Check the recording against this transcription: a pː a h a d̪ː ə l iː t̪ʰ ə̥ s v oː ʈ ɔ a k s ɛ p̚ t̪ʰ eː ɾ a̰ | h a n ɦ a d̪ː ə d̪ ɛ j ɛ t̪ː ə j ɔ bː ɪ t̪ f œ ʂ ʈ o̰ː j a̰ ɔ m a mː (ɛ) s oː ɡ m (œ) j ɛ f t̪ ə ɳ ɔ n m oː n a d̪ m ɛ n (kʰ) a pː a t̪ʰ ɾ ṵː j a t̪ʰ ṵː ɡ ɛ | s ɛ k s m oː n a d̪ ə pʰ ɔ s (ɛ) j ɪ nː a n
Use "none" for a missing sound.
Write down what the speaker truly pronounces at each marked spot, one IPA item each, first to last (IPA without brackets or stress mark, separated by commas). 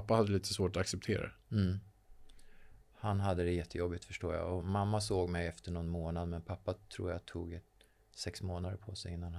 a, ɛ, pʰ, ɛ